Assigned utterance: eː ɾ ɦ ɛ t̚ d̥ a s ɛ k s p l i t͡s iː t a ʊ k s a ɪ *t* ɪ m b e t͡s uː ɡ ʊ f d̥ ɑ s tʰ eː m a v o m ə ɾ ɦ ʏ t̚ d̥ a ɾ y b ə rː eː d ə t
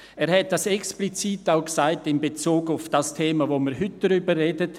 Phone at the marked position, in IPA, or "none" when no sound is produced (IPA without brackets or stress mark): t